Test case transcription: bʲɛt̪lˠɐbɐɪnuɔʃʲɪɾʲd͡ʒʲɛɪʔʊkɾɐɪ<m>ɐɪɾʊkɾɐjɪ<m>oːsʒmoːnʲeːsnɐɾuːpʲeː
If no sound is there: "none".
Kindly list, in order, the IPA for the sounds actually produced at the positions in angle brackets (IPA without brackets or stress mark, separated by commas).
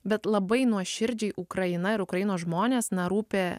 n, n